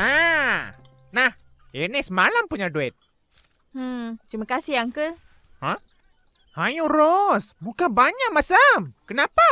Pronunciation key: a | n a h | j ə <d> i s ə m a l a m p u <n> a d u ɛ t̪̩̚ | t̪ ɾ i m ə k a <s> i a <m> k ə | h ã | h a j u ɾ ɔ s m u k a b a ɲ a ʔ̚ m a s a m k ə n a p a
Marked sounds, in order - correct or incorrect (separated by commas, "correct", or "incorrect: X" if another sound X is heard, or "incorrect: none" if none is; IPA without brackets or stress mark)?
incorrect: n, incorrect: ɲ, correct, incorrect: ŋ